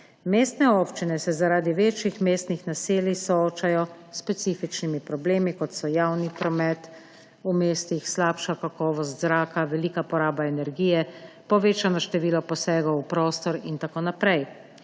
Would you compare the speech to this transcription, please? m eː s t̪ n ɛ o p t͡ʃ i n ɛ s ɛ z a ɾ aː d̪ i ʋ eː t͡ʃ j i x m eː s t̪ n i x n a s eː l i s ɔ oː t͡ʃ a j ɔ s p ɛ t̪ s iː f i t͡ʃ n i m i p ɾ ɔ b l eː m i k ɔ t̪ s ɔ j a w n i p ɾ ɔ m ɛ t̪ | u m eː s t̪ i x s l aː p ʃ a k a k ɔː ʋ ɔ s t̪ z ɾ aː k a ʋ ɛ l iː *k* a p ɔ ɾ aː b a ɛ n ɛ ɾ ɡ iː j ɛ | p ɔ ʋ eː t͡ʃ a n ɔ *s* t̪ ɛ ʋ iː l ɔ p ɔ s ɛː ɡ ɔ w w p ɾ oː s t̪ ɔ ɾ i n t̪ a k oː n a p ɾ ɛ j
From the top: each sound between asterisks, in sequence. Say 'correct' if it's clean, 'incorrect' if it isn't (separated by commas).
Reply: correct, incorrect